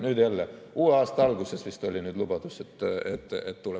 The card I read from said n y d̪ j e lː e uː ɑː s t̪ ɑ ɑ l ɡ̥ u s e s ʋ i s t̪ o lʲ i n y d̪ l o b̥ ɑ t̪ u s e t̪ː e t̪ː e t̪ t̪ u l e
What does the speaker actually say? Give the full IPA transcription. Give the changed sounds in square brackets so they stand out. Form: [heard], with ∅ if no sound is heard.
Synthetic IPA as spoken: n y d̪ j [æ] lː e uː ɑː s t̪ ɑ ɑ l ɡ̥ u s e s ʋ i s t̪ o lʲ i n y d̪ l [u] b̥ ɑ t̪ u s e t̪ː e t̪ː e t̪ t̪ u l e